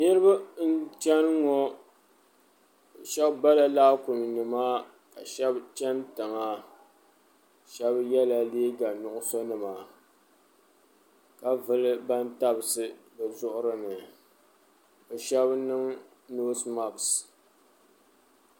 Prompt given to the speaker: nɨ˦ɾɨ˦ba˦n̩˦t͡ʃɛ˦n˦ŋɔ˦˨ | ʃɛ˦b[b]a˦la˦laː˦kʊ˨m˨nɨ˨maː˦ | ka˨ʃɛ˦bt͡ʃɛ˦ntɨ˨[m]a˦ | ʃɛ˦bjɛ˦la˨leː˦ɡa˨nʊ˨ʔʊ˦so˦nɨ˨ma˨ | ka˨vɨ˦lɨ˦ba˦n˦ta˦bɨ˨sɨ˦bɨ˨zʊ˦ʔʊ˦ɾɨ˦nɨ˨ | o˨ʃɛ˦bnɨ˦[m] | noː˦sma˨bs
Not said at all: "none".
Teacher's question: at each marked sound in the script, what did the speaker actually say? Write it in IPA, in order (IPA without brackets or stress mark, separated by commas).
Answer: b, ŋ, ŋ